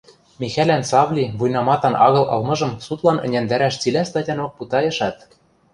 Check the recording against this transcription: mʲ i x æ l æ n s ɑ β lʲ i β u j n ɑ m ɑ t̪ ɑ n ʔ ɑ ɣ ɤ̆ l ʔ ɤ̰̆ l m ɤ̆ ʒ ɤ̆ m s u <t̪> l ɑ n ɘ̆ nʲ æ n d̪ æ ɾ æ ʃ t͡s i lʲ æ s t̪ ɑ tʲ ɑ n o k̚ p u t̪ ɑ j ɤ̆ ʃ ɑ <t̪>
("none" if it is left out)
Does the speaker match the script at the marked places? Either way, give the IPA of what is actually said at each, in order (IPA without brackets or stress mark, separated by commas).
t̪, t̪